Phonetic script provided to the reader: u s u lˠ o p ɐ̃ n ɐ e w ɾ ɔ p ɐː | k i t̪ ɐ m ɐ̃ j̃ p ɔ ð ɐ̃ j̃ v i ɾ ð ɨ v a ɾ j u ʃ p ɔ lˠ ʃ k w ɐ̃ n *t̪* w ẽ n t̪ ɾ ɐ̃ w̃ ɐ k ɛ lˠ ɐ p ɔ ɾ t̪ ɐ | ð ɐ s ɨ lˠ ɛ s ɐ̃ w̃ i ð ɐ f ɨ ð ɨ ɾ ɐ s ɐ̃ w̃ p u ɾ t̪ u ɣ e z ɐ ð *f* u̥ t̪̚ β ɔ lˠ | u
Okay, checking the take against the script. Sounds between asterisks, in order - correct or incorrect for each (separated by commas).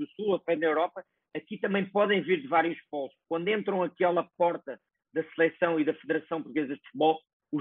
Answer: incorrect, correct